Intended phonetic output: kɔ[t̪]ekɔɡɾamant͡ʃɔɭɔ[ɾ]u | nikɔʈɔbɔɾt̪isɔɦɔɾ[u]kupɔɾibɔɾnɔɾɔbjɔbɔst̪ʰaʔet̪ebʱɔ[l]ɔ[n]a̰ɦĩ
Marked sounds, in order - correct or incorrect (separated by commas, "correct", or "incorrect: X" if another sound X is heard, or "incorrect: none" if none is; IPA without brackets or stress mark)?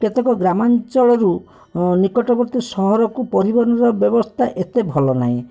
correct, correct, incorrect: ɔ, correct, correct